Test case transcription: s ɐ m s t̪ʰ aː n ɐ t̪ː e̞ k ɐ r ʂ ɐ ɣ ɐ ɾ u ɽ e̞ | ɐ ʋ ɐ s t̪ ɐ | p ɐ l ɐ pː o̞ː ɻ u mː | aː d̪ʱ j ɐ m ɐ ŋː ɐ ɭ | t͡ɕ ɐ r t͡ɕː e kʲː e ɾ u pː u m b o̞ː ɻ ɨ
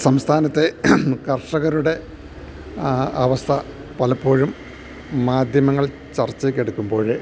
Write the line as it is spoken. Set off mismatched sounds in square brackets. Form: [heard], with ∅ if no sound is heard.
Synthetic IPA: s ɐ m s t̪ʰ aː n ɐ t̪ː e̞ k ɐ r ʂ ɐ ɣ ɐ ɾ u ɽ e̞ | ɐ ʋ ɐ s [t̪ʰ] ɐ | p ɐ l ɐ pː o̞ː ɻ u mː | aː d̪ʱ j ɐ m ɐ ŋː ɐ ɭ | t͡ɕ ɐ r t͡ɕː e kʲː e [ɽ] u [kː] u m b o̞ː ɻ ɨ